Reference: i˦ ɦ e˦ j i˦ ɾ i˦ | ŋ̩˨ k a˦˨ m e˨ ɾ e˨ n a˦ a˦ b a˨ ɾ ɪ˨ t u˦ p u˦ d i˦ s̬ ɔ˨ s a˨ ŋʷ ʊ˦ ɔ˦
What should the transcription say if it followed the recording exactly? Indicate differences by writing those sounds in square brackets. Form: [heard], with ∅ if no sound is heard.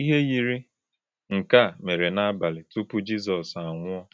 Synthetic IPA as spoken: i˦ ɦ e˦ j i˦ ɾ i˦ | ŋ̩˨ k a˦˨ m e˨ ɾ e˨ n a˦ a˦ b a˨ [l] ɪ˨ t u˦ p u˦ [d͡ʒ] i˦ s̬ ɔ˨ s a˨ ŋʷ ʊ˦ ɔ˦